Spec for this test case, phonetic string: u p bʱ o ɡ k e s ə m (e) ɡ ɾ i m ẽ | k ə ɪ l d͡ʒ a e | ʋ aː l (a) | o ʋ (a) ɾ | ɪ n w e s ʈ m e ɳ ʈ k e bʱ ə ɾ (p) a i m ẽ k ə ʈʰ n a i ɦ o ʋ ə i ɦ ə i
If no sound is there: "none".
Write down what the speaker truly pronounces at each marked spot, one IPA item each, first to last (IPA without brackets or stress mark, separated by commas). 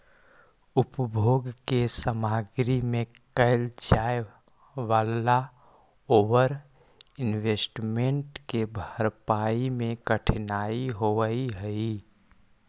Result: a, a, ə, p